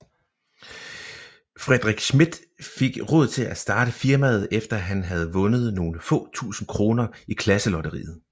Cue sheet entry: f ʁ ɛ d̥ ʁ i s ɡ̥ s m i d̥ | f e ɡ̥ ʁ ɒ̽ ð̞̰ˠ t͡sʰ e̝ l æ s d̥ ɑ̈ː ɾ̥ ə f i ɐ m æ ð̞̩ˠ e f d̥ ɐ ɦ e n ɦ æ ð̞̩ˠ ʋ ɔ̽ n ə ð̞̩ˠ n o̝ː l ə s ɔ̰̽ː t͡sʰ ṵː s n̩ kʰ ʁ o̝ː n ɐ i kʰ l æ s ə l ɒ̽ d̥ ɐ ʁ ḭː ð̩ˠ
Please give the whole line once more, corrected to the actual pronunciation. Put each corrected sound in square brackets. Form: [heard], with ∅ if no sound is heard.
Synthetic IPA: f ʁ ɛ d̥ ʁ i [∅] ɡ̥ s m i d̥ | f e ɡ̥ ʁ [ɔ̽] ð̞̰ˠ t͡sʰ e̝ l æ s d̥ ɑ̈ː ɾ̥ ə f i ɐ m æ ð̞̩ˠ e f d̥ ɐ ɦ [æ] n ɦ æ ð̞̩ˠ ʋ ɔ̽ n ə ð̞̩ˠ n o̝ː l ə [f] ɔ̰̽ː t͡sʰ ṵː s n̩ kʰ ʁ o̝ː n ɐ i kʰ l æ s ə l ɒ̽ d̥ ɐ ʁ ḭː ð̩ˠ